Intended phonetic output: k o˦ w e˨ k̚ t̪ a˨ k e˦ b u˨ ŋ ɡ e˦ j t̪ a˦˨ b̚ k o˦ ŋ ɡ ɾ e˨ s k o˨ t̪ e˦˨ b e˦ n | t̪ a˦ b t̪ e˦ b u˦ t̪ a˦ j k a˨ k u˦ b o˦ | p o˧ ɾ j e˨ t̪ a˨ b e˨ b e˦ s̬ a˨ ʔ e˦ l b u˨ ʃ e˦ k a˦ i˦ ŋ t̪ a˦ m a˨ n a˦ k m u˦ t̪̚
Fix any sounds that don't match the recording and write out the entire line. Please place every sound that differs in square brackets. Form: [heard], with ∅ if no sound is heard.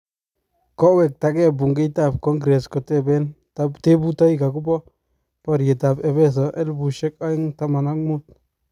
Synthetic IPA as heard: k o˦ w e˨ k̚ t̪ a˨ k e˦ b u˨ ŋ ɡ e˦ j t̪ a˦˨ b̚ k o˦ ŋ ɡ ɾ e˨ s k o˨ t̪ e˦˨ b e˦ n | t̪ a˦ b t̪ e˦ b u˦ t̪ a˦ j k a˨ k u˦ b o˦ | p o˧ ɾ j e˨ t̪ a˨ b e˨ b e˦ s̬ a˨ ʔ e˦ l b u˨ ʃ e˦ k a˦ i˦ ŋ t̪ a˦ m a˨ n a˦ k m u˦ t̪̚